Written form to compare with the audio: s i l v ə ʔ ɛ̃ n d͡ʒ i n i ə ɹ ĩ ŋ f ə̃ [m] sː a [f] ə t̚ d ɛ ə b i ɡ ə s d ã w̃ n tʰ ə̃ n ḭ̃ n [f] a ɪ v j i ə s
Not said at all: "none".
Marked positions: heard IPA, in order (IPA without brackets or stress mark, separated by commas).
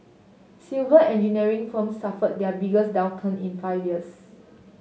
m, f, f